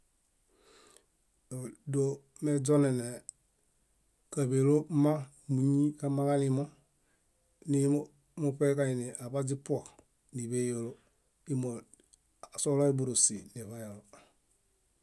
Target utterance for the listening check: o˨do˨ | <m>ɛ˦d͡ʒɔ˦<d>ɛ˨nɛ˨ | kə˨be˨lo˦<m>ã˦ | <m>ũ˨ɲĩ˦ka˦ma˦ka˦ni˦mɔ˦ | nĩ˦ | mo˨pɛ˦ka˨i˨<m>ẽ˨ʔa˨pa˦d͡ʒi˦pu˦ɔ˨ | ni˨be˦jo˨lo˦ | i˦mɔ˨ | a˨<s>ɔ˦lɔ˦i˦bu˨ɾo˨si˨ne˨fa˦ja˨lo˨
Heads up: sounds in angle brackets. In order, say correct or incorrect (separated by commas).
correct, incorrect, correct, correct, incorrect, correct